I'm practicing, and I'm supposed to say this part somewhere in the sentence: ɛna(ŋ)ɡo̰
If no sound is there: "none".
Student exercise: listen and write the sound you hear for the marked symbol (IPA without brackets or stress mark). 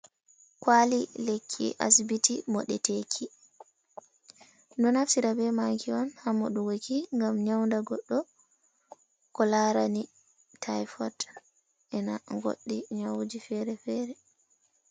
ŋ